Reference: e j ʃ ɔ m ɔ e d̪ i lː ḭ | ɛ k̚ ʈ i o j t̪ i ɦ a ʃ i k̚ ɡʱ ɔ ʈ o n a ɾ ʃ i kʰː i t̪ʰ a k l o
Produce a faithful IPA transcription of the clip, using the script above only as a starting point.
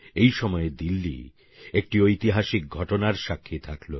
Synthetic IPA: e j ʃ ɔ m ɔ e d̪ i lː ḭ | e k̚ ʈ i o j t̪ i ɦ a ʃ i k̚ ɡʱ ɔ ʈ o n a ɾ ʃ a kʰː i t̪ʰ a k l o